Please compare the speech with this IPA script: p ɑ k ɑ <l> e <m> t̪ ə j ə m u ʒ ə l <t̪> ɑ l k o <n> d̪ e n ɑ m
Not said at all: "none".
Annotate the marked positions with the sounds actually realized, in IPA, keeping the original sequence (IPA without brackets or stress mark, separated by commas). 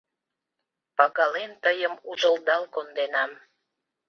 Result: l, n, d̪, n